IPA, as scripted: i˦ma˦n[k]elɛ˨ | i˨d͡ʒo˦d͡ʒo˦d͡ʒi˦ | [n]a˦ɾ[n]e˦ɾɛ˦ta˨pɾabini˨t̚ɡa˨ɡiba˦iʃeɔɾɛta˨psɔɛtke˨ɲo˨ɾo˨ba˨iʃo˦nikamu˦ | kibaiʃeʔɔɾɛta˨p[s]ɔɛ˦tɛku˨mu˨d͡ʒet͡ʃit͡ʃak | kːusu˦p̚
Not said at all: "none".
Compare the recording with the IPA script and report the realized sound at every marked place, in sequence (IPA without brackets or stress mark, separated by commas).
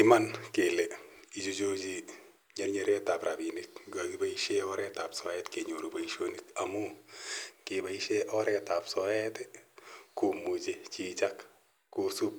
k, ɲ, ɲ, s